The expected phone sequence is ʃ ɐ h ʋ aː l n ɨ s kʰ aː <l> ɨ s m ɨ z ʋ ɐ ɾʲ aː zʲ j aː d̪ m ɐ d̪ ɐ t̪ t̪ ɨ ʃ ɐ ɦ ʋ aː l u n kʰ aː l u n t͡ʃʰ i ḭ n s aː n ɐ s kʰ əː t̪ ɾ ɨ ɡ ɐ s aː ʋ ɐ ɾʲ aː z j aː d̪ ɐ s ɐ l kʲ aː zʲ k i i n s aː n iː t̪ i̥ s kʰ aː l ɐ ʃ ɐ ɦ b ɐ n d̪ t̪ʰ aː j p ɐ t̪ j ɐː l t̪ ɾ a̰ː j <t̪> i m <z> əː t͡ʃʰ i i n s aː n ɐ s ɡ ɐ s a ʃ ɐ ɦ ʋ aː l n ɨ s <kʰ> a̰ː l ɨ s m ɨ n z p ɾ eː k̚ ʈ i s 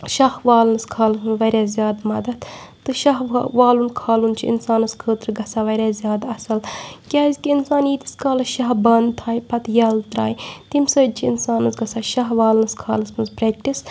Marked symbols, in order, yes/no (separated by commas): yes, yes, no, yes